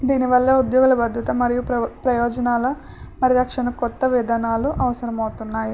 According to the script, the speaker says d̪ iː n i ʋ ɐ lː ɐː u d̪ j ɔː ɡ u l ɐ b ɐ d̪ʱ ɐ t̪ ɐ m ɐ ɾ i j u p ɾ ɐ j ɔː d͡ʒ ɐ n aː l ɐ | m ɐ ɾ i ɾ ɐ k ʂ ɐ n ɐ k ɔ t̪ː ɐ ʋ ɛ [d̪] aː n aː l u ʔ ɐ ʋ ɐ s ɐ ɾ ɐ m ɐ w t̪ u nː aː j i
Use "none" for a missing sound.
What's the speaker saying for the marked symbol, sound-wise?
d̪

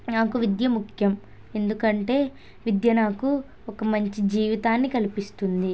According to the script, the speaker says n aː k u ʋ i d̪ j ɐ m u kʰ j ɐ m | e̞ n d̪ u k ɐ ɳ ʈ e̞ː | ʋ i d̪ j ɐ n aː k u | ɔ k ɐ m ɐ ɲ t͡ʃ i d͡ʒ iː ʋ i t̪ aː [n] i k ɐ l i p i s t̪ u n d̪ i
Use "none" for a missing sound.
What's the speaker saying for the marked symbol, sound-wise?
nː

